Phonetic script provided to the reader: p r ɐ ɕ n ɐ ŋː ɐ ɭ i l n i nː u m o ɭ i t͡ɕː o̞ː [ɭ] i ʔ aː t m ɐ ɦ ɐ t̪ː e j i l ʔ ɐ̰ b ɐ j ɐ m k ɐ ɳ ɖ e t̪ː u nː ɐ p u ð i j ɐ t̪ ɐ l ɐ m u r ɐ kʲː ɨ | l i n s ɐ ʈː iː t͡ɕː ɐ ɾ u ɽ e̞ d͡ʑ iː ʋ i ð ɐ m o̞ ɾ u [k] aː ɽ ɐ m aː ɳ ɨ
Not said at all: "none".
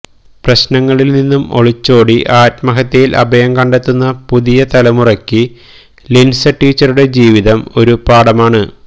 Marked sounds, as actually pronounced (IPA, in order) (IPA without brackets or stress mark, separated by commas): ɽ, p